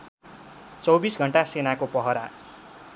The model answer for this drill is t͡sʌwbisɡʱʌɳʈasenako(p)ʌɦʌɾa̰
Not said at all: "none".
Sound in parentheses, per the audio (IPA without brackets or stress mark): p